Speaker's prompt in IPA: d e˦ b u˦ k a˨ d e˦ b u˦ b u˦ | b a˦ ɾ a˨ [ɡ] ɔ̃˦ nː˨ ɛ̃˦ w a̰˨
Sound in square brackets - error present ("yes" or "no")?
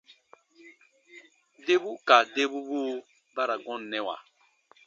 no